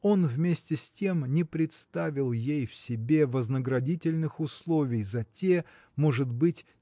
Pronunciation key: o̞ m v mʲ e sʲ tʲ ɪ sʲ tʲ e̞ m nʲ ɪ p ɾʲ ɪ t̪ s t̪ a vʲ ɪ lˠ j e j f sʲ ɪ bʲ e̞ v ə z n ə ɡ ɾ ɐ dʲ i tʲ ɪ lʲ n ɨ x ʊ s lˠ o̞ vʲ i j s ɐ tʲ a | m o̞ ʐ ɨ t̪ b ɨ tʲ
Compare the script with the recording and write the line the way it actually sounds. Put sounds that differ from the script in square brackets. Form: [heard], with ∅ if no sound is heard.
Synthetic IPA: o̞ [n] v mʲ e sʲ tʲ ɪ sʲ tʲ e̞ m nʲ ɪ p ɾʲ ɪ t̪ s t̪ a vʲ ɪ lˠ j e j f sʲ ɪ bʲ e̞ v ə z n ə ɡ ɾ ɐ dʲ i tʲ ɪ lʲ n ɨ x ʊ s lˠ o̞ vʲ [ɪ] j [z] ɐ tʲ [e] | m o̞ ʐ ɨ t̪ b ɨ tʲ